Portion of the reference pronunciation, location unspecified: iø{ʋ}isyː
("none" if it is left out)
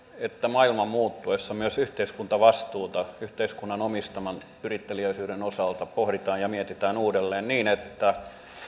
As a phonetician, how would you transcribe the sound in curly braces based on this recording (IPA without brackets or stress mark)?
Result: none